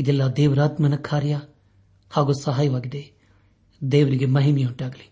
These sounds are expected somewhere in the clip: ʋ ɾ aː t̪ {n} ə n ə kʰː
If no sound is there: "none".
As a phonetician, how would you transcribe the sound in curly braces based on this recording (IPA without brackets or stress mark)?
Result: m